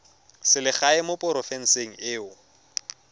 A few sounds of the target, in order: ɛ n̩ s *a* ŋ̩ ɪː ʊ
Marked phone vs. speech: incorrect: e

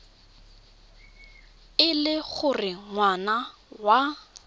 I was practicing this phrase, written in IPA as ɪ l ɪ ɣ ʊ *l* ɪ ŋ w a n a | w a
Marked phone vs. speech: incorrect: r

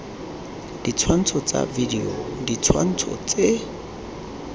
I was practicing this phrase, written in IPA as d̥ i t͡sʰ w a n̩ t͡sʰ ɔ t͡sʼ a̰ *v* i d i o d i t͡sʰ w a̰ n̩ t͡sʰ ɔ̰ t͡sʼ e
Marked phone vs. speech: correct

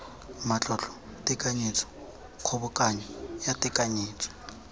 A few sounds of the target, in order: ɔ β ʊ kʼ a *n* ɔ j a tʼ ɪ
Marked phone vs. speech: incorrect: ɲ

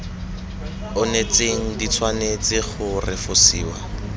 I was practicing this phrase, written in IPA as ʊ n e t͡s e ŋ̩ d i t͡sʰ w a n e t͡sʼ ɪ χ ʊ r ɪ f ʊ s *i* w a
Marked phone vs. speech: incorrect: iː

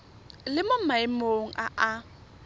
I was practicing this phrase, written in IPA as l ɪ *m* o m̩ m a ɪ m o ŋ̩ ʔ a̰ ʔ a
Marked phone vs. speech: correct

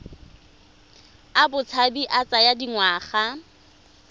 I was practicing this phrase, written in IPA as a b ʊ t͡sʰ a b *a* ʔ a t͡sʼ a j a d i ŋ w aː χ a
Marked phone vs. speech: incorrect: i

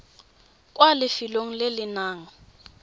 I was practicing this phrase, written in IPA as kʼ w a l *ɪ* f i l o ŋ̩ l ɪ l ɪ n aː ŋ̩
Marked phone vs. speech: correct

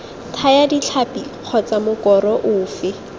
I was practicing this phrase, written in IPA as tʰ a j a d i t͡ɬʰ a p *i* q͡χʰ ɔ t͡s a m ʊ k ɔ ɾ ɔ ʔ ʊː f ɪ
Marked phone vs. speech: correct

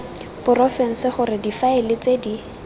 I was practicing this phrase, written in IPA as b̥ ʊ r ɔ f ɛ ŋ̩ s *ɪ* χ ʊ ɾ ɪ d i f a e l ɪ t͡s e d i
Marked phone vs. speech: correct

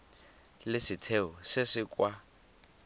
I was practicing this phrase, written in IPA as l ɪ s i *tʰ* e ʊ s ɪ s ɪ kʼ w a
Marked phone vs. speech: correct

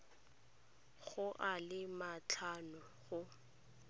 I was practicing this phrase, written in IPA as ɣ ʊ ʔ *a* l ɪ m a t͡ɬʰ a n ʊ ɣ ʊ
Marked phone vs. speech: correct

